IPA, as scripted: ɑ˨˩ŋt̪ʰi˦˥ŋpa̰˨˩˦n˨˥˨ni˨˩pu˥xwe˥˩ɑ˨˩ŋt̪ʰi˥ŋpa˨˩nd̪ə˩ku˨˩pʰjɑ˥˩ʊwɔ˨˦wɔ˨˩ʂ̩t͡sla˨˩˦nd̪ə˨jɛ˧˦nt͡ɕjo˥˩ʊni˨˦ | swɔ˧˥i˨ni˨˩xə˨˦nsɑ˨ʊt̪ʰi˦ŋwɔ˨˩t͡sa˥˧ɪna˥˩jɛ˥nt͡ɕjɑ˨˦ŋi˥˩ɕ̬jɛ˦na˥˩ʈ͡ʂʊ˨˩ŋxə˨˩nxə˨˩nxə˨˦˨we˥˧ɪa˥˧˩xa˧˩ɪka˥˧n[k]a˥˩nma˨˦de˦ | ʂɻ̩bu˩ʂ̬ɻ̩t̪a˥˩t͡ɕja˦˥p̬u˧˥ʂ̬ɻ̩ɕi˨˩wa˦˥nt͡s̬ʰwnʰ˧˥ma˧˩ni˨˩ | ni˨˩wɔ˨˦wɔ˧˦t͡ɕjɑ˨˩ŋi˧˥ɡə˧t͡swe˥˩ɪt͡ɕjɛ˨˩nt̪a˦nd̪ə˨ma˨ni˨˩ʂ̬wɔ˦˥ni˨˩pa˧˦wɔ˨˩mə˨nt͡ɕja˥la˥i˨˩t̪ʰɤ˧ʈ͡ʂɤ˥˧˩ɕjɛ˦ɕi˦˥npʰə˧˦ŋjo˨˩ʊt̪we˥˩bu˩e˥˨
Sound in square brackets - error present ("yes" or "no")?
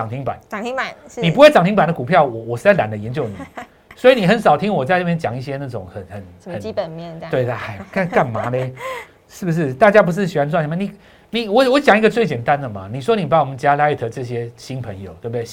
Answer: no